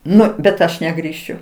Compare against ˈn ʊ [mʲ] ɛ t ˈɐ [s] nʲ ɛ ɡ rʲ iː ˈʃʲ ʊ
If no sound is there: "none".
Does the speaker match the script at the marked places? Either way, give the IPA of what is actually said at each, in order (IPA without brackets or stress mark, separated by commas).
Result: bʲ, ʃ